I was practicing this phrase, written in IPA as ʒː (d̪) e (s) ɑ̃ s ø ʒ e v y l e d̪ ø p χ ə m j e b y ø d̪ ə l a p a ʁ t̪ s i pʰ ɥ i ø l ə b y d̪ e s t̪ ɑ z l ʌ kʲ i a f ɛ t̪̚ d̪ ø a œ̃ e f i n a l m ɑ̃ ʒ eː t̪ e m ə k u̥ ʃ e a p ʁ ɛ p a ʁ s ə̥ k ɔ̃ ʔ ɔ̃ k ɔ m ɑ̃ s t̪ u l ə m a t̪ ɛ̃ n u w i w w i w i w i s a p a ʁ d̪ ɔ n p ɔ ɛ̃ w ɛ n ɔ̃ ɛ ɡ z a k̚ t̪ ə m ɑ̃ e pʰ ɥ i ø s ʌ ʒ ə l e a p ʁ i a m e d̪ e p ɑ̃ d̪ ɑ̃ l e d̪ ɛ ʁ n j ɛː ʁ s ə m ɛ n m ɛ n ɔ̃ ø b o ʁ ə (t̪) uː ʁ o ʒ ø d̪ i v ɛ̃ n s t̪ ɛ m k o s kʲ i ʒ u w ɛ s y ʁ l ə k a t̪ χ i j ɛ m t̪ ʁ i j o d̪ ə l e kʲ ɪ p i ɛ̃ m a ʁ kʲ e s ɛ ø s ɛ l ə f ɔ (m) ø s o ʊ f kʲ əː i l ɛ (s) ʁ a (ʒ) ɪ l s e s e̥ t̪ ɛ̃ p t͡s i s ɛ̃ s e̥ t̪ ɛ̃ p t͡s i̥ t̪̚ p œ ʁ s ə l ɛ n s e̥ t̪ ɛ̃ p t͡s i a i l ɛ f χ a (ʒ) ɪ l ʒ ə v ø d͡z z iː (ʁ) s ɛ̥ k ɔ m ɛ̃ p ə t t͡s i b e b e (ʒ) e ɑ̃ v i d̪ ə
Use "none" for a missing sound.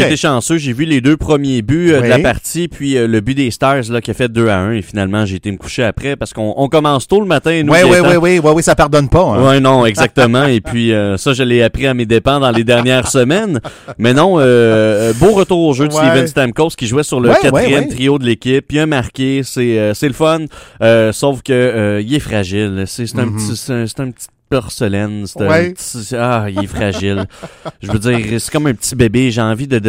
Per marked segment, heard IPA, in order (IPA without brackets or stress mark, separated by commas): t̪, ʃ, t̪, n, f, ʒ, ʒ, ʁ, ʒ